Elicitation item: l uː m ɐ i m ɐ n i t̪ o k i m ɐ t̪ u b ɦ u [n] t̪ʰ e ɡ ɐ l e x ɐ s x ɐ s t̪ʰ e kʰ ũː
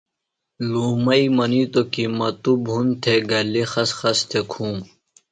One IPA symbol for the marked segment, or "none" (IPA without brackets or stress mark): n